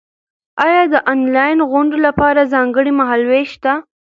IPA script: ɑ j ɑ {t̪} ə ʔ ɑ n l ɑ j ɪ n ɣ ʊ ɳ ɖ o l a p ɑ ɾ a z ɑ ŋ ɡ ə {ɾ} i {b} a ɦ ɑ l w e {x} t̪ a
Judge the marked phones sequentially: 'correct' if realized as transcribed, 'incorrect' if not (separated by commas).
incorrect, incorrect, incorrect, incorrect